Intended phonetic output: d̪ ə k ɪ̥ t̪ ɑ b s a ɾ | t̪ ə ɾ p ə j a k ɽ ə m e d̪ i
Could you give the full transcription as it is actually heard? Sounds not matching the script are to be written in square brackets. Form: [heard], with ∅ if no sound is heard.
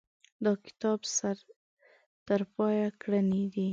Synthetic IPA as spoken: d̪ [ɑ] k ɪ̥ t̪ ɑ b s a ɾ | t̪ ə ɾ p [ɑ] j a k ɽ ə [n] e d̪ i